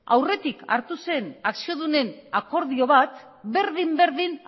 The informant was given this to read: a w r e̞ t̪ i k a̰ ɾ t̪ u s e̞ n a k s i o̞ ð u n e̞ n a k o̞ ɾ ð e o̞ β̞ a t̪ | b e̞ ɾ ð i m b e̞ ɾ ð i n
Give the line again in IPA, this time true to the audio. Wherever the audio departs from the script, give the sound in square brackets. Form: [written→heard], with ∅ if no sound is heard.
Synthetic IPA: a w r e̞ t̪ i k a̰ ɾ t̪ u s e̞ n a k s i o̞ ð u n e̞ n a k o̞ ɾ ð [e→i] o̞ β̞ a t̪ | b e̞ ɾ ð i m b e̞ ɾ ð i n